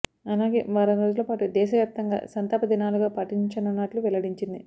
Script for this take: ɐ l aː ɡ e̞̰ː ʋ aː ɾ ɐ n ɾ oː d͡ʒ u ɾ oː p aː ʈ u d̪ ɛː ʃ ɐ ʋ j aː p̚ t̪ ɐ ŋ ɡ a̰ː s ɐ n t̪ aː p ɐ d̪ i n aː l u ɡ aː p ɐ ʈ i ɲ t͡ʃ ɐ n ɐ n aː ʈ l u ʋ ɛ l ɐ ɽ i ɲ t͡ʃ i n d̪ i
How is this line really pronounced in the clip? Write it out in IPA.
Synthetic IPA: ɐ l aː ɡ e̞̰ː ʋ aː ɾ ɐ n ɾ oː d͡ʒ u l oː p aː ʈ u d̪ ɛː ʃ ɐ ʋ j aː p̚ t̪ ɐ ŋ ɡ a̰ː s ɐ n t̪ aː p ɐ d̪ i n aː l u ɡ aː p ɐ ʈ i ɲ t͡ʃ ɐ n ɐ n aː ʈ l u ʋ ɛ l ɐ ɽ i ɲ t͡ʃ i n d̪ i